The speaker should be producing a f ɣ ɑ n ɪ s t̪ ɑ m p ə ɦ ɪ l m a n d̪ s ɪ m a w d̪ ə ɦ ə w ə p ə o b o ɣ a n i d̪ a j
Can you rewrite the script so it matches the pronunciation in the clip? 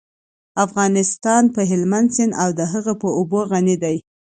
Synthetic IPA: a f ɣ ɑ n ɪ s t̪ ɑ n p ə ɦ ɪ l m a n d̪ s ɪ n a w d̪ ə ɦ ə ɣ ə p ə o b o ɣ a n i d̪ a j